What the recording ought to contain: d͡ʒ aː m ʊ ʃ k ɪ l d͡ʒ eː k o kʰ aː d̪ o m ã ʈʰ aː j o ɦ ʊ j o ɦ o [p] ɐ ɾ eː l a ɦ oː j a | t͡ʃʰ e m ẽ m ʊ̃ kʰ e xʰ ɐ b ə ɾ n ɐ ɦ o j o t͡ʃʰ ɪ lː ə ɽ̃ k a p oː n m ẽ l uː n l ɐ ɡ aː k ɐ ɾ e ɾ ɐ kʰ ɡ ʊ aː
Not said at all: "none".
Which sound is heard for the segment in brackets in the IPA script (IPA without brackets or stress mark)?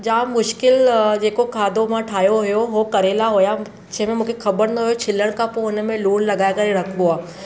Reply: k